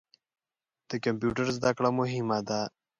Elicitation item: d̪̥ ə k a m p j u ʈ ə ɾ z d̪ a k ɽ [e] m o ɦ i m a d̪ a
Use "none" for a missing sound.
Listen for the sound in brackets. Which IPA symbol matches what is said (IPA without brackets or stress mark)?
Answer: a